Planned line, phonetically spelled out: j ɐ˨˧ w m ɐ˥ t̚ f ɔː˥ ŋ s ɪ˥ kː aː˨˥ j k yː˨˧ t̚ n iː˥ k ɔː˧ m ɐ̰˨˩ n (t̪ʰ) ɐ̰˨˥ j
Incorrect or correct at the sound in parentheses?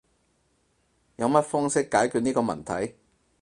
correct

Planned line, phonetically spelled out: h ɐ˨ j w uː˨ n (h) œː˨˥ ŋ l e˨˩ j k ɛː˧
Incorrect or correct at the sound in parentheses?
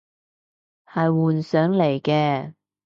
incorrect: s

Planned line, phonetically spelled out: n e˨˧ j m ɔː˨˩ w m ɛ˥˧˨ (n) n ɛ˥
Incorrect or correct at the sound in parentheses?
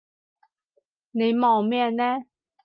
correct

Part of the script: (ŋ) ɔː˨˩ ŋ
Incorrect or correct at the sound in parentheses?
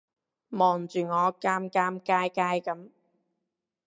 incorrect: m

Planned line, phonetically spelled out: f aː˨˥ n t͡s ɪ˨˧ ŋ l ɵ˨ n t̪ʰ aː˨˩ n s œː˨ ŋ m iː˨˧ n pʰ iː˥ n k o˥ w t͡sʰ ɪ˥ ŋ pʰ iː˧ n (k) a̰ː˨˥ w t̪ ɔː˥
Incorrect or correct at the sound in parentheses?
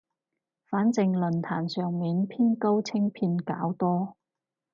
correct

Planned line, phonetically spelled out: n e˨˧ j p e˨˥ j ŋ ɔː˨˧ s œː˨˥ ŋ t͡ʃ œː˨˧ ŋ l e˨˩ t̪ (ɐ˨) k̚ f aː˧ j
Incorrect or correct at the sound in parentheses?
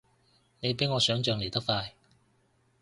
incorrect: ɐ˥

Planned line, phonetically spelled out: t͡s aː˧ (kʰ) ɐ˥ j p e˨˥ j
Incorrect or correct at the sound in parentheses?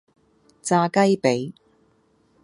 incorrect: k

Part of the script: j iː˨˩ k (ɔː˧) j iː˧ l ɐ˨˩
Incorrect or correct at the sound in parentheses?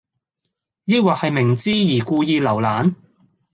incorrect: uː˧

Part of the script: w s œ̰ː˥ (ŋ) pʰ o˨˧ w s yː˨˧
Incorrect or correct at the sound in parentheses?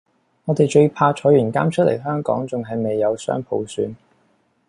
correct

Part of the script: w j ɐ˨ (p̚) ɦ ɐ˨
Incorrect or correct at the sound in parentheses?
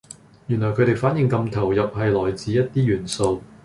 correct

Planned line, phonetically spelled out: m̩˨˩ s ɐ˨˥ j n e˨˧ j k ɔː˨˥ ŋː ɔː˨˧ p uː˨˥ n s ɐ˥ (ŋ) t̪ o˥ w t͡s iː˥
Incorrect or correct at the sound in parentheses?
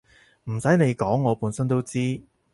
incorrect: n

